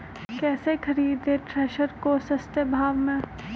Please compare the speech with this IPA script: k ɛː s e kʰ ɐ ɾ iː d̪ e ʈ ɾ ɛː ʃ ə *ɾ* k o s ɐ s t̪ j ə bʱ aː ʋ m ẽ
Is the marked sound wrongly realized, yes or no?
no